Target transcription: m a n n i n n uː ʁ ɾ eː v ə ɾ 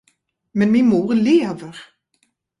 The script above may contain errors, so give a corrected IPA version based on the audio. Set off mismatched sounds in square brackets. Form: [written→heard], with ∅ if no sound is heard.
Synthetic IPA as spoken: m [a→ɛ] n [n→m] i n [n→m] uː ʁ [ɾ→l] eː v ə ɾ